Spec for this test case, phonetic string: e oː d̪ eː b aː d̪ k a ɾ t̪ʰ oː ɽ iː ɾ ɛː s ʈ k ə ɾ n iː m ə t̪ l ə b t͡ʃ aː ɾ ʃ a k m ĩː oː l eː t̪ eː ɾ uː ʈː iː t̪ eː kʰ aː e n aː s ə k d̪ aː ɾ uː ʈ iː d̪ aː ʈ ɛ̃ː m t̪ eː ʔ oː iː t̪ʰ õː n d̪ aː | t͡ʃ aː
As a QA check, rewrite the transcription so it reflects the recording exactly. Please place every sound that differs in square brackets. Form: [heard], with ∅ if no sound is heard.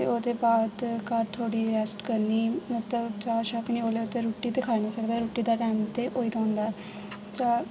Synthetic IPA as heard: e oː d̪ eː b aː d̪ k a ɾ t̪ʰ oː ɽ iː ɾ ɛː s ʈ k ə ɾ n iː m ə t̪ l ə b t͡ʃ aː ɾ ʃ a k [n] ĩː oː l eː t̪ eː ɾ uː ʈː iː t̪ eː kʰ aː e n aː s ə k d̪ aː ɾ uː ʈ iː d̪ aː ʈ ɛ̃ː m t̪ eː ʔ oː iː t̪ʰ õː n d̪ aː | t͡ʃ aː